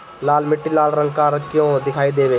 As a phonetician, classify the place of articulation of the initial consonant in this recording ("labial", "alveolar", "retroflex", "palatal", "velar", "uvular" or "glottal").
alveolar